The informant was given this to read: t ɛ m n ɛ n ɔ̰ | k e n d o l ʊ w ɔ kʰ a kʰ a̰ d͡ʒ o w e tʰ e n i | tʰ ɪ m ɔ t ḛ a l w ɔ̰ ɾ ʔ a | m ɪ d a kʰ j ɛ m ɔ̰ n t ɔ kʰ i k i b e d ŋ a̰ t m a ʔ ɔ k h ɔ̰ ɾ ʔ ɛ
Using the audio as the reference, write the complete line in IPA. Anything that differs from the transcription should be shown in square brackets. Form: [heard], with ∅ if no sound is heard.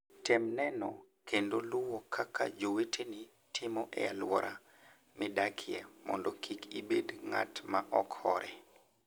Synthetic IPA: t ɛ m n ɛ n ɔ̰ | k e n d o l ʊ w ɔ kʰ a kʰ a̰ d͡ʒ o w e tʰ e n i | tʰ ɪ m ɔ [ʔ] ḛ a l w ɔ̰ ɾ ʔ a | m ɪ d a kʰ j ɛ m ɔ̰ n [d] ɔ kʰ i k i b e d ŋ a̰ t m a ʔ ɔ k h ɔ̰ ɾ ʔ ɛ